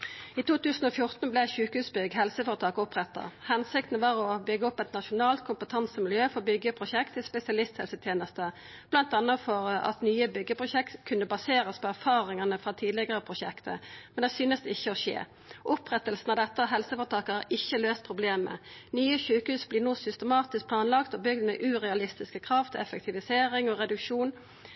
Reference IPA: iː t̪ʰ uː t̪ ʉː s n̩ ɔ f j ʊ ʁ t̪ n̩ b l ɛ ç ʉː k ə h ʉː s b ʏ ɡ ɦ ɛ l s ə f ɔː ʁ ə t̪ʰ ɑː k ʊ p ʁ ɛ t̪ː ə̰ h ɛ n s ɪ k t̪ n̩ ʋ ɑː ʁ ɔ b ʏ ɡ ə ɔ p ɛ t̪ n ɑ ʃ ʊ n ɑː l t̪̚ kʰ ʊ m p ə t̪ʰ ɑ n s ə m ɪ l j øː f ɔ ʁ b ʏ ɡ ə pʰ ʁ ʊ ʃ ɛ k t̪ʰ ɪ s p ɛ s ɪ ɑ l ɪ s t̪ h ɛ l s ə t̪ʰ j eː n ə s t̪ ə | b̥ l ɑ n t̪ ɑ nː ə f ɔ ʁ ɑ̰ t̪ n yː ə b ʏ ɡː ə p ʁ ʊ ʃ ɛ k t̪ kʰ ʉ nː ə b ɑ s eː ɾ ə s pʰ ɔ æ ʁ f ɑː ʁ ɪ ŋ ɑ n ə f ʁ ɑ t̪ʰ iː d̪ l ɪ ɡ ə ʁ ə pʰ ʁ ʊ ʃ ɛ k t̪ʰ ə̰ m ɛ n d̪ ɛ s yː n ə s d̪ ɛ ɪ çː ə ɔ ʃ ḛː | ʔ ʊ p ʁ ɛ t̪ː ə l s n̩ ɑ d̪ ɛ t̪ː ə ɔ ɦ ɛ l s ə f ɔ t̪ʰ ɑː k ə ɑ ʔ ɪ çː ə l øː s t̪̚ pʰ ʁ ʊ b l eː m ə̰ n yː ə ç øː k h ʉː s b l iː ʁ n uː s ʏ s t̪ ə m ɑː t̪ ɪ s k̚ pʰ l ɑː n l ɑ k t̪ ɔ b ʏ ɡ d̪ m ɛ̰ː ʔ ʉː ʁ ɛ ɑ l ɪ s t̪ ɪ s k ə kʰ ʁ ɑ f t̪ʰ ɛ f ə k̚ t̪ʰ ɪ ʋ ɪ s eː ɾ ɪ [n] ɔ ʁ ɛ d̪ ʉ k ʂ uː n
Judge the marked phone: incorrect: ŋ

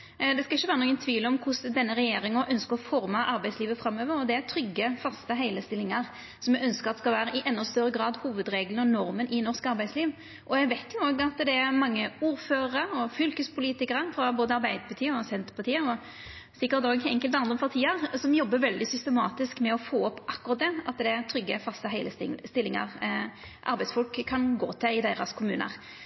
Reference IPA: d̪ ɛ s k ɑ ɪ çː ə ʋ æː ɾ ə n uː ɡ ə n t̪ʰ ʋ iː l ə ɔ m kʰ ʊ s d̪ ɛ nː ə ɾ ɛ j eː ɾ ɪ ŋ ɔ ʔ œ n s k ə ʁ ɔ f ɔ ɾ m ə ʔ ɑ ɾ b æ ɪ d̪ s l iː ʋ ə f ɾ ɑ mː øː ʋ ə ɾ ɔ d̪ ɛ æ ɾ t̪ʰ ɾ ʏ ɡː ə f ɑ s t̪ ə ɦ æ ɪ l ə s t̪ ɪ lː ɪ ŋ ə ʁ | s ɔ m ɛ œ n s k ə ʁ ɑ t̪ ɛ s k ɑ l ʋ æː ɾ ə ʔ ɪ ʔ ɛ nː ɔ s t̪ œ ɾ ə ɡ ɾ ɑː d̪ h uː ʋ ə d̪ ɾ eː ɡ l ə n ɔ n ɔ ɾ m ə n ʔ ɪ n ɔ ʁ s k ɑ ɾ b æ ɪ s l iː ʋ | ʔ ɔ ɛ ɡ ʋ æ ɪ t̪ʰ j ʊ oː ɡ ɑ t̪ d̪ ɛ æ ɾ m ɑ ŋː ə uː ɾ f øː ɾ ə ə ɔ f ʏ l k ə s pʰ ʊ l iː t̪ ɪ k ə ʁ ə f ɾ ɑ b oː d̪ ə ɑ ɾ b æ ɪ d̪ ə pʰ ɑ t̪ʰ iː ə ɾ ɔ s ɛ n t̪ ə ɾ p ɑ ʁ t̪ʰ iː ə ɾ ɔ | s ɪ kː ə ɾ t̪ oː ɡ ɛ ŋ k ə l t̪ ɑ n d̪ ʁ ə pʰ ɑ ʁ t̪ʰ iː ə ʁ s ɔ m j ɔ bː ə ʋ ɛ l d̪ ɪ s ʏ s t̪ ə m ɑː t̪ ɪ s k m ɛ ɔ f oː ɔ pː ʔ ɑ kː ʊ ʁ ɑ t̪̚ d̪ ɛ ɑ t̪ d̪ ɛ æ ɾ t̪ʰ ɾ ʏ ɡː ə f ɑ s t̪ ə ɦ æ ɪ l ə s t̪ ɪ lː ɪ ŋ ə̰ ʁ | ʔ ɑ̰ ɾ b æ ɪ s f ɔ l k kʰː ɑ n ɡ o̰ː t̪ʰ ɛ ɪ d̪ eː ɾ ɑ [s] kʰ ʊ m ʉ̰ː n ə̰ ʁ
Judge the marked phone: correct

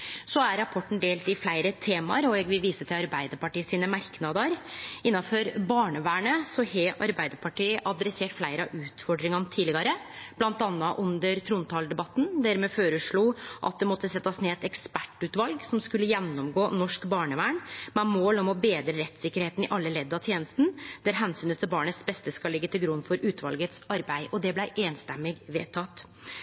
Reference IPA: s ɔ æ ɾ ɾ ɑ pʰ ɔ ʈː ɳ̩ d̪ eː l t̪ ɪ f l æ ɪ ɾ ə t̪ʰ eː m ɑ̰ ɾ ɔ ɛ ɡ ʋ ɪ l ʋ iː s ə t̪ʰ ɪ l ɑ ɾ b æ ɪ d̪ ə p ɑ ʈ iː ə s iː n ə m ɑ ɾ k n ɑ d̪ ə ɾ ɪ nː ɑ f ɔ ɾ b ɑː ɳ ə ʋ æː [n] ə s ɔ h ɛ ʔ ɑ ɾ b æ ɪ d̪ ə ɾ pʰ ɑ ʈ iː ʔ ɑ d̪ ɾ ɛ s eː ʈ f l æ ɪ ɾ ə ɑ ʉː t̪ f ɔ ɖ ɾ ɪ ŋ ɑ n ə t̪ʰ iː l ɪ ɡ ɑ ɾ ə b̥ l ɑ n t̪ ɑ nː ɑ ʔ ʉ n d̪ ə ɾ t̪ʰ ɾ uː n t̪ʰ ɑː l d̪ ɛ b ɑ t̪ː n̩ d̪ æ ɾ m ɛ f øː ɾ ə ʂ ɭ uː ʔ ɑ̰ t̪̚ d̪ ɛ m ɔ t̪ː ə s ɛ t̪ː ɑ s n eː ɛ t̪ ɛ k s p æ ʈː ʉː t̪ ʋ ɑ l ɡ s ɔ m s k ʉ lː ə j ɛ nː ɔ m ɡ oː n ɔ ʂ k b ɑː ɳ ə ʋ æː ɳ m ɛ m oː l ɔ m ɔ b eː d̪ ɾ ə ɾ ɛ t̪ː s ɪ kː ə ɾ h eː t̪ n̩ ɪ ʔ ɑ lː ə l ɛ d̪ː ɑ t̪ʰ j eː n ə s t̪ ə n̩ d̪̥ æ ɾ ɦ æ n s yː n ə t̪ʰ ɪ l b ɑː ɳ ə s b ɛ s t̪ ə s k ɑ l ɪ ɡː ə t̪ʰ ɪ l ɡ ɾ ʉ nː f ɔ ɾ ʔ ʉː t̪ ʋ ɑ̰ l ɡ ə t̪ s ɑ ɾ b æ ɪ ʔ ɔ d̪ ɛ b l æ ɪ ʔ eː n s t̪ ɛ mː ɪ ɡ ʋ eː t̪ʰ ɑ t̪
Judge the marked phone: incorrect: ɳ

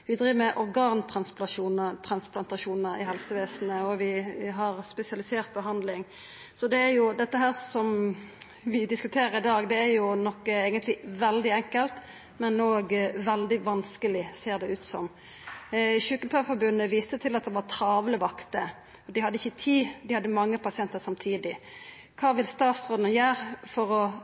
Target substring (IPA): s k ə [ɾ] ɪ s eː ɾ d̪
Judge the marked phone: incorrect: l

